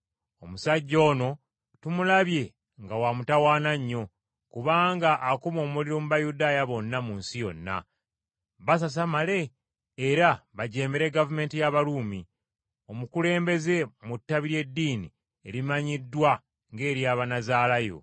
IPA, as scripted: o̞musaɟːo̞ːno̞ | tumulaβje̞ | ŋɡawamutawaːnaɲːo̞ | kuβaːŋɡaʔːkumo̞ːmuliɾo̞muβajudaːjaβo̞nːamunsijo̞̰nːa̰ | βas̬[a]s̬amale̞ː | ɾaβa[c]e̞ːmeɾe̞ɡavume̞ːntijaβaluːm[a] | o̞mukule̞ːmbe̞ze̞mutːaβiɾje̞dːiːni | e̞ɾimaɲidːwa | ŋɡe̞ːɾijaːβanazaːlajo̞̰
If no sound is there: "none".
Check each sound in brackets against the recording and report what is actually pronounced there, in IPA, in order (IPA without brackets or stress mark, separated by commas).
a, ɟ, i